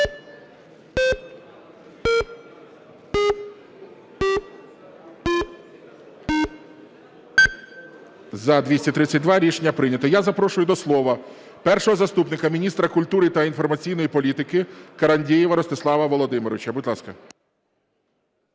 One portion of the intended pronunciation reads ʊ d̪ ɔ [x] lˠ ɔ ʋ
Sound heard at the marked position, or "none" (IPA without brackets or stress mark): s